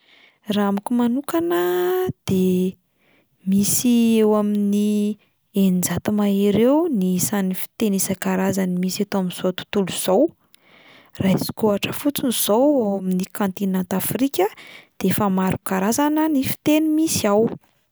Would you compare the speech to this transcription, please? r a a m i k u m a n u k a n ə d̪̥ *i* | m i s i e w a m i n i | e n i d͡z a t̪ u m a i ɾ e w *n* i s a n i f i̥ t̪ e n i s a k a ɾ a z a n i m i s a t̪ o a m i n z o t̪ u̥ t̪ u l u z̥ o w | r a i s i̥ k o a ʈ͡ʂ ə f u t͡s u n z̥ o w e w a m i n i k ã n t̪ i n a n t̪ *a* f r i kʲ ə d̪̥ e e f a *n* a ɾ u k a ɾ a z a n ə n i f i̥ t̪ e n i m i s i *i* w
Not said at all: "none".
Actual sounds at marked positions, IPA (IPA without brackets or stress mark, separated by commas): e, n, a, m, a